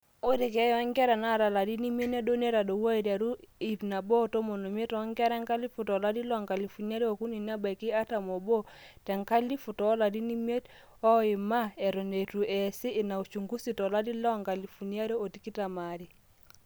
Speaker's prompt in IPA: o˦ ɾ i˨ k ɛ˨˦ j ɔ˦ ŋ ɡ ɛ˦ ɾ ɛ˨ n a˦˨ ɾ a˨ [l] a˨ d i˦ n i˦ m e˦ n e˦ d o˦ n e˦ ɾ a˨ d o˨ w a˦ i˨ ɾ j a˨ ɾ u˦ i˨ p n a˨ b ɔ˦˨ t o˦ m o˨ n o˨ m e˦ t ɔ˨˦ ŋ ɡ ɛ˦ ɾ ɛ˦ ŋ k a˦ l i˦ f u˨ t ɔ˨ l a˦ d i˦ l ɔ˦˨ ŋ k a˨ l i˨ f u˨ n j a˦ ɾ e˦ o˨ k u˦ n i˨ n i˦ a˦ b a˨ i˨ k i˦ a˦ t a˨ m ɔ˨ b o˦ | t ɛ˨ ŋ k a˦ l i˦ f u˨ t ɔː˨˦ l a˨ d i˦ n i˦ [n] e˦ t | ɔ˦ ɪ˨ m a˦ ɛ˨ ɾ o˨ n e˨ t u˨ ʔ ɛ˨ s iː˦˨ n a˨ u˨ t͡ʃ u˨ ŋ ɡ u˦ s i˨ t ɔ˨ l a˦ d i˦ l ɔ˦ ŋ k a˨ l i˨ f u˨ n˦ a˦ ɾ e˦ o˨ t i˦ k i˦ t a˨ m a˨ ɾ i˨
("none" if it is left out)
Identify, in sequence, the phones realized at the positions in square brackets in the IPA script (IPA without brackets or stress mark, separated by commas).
l, m